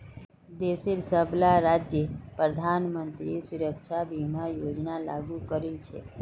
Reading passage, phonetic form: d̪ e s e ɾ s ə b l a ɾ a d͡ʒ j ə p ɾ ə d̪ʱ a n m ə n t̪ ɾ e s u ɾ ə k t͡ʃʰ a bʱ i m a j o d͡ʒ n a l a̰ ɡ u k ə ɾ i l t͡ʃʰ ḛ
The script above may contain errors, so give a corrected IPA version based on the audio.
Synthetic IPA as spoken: d̪ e s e ɾ s ə b l a ɾ a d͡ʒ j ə p ɾ ə d̪ʱ a n m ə n t̪ ɾ i s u ɾ ə k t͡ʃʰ a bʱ i m a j o d͡ʒ n a l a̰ ɡ u k ə ɾ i l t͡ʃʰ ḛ

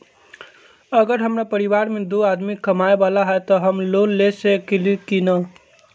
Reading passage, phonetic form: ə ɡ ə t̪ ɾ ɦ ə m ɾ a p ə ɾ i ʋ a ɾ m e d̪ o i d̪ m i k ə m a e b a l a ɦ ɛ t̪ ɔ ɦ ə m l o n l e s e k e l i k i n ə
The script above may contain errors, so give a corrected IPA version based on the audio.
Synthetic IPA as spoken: ə ɡ ə ɾ ɦ ə m ɾ a p ə ɾ i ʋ a ɾ m e d̪ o a d̪ m i k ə m a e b a l a ɦ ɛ t̪ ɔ ɦ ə m l o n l e s e k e l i k i n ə

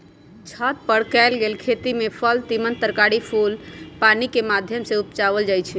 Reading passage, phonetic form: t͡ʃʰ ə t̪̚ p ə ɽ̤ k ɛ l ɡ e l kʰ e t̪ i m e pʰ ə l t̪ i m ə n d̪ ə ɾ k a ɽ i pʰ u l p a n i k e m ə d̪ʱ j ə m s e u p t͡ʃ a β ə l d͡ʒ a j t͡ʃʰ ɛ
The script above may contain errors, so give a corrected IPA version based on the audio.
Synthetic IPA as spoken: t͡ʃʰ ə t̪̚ p ə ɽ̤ k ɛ l ɡ e l kʰ e t̪ i m e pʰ ə l t̪ i m ə n t̪ ə ɾ k a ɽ i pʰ u l p a n i k e m a d̪ʱ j ə m s e u p t͡ʃ a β ə l d͡ʒ a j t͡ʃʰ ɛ

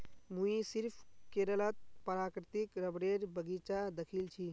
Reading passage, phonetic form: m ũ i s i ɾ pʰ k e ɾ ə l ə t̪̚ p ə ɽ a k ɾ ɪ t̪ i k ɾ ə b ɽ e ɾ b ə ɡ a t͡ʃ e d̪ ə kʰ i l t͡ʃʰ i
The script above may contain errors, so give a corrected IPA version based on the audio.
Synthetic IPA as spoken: m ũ i s i ɾ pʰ k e ɾ ə l ə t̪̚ p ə ɾ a k ɾ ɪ t̪ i k ɾ ə b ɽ e ɾ b ə ɡ i t͡ʃ a d̪ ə kʰ i l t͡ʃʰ i

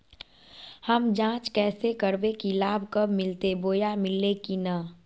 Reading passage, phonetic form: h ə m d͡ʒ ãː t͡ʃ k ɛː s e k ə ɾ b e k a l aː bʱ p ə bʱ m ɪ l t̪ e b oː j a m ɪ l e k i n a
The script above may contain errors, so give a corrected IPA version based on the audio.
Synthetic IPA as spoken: h ə m d͡ʒ ãː t͡ʃ k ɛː s e k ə ɾ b e k i l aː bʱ k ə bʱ m ɪ l t̪ e b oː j a m ɪ l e k i n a

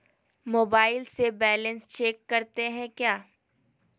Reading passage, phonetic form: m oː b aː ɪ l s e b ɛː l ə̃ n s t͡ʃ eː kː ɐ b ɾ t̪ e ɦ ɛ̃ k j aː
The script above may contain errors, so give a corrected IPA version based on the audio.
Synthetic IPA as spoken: m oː b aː ɪ l s e b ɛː l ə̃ n s t͡ʃ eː kː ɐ ɾ t̪ e ɦ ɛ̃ k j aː

